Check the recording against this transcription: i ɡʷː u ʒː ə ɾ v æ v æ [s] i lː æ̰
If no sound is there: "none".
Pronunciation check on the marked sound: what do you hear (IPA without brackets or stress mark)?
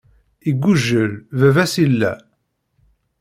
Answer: s